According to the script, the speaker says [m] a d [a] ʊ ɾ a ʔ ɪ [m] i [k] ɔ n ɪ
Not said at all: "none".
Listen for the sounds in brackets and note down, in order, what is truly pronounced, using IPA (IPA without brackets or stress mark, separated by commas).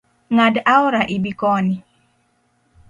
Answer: ŋ, a, b, k